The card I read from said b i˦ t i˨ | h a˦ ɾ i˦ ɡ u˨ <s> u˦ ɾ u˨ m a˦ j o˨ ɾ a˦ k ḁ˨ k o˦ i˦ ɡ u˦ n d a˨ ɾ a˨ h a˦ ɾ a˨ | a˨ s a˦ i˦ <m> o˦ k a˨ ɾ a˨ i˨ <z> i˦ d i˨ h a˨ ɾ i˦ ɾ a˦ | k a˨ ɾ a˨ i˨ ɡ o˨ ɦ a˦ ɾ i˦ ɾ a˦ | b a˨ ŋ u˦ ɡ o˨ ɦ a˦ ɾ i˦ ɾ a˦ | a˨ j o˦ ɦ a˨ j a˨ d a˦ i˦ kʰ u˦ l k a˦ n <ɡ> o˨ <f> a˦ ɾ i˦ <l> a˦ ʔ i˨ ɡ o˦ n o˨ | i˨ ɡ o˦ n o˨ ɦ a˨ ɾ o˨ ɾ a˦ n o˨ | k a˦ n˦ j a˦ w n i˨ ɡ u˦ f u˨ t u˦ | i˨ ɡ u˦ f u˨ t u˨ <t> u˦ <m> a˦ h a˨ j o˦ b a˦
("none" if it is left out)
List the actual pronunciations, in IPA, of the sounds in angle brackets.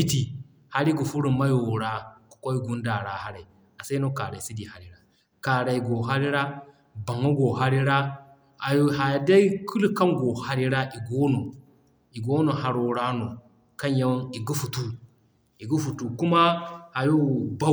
f, n, s, ɡ, h, ɾ, k, m

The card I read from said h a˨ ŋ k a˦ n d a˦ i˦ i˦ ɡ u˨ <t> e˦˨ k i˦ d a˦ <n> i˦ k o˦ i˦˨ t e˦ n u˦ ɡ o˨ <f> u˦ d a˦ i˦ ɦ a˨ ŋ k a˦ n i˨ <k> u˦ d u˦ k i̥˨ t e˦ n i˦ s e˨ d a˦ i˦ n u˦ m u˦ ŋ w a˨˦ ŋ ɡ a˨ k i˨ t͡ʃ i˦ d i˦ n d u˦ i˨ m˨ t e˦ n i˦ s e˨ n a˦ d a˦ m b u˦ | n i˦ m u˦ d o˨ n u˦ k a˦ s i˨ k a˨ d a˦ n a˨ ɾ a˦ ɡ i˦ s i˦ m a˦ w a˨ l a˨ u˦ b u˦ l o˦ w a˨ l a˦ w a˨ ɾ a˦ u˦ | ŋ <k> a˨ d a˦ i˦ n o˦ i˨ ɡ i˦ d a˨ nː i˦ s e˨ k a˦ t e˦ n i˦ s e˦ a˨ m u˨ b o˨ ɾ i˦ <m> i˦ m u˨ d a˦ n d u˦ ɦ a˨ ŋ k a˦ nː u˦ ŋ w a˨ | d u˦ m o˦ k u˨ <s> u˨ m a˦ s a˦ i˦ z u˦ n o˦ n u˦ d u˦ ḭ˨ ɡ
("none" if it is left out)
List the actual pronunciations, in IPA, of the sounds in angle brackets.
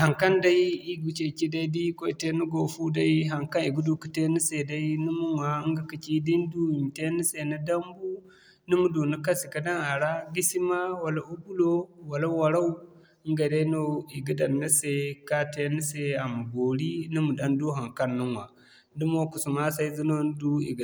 t͡ʃ, d, f, ɡ, ɡ, n, s

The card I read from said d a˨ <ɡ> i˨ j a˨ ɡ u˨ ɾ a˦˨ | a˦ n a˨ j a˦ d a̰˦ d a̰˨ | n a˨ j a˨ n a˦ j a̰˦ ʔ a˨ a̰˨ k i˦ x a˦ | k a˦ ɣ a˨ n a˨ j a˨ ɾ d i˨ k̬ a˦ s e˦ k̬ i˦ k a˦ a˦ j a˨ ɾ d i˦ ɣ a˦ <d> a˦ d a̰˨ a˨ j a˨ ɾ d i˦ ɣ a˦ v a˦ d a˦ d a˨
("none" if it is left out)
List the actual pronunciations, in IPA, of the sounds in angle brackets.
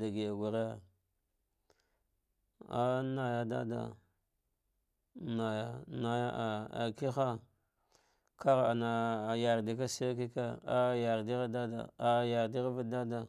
ɡ, d

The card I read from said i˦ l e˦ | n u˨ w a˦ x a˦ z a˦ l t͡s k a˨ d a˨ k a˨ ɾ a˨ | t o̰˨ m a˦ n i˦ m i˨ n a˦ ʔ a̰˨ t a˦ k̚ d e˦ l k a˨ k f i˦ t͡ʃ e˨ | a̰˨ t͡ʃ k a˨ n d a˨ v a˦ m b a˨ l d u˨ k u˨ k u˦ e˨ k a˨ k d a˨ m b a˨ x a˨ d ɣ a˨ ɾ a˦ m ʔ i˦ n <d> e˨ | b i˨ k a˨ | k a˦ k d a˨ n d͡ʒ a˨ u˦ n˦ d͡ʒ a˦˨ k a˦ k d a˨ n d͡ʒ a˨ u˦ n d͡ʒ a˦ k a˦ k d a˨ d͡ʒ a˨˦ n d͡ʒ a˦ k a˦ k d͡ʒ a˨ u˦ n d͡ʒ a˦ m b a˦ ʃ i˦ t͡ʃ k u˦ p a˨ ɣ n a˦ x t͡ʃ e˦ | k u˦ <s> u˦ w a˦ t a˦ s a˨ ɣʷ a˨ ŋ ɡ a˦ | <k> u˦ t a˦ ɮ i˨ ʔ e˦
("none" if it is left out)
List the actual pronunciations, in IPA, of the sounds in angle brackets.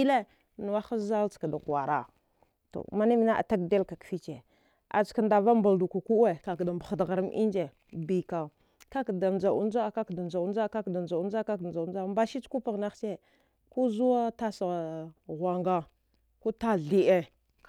d͡ʒ, z, k

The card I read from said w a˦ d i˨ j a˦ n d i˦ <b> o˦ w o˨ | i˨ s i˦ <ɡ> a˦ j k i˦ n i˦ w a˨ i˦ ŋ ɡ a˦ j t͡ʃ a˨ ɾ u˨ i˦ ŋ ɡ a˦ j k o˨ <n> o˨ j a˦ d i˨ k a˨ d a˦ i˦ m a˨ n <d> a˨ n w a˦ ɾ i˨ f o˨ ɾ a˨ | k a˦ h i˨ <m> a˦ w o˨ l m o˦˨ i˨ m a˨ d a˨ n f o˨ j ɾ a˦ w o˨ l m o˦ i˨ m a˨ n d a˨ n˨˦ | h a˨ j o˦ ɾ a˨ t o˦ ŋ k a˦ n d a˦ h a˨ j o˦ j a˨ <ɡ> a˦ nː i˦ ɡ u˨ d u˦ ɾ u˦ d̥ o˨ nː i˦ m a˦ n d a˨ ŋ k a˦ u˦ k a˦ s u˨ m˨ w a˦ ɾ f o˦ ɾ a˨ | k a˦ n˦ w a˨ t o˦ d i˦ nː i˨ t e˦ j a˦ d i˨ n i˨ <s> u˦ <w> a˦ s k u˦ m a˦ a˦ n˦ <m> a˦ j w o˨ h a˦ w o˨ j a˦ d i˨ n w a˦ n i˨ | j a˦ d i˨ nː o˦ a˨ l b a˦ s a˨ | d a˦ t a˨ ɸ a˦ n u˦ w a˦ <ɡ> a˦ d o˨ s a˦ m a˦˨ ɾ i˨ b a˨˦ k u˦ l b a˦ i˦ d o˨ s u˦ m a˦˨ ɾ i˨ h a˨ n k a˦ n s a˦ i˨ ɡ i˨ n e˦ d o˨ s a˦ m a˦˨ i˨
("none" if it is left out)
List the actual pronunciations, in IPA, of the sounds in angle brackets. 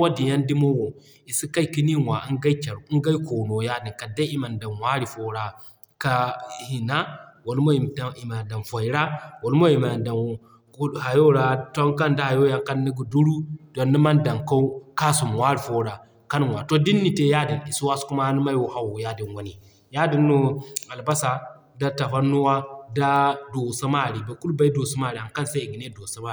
m, k, n, d, n, k, s, w, m, d

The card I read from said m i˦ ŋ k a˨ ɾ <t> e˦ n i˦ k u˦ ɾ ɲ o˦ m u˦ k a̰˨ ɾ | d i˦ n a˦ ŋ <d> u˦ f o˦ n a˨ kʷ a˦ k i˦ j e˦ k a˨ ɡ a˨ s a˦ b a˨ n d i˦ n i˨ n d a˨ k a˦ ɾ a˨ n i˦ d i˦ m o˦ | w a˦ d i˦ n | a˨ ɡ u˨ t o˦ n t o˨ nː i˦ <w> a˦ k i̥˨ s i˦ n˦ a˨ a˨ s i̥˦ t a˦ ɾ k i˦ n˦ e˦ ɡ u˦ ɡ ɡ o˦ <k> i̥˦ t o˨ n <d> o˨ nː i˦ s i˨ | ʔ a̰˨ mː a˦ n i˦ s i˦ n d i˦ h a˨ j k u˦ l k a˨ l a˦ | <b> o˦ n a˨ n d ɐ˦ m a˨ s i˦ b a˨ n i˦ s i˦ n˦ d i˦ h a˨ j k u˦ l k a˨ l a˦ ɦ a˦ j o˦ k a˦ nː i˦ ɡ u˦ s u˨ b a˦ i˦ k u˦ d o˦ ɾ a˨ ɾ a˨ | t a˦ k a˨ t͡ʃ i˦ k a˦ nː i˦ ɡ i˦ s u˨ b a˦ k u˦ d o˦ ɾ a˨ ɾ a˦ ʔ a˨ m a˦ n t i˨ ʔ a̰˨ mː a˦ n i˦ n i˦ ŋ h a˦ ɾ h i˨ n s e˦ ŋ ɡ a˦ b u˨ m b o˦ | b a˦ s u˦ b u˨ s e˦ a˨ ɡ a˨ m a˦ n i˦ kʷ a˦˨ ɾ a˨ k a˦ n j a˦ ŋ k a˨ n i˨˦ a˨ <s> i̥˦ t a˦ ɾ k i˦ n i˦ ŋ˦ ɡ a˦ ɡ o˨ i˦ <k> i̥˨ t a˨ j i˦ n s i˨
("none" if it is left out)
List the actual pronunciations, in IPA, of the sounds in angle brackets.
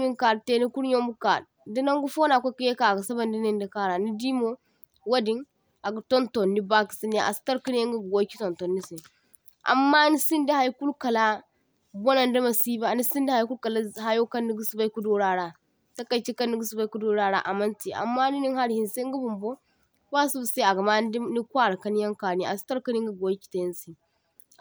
t, ɡ, b, k, t, b, s, k

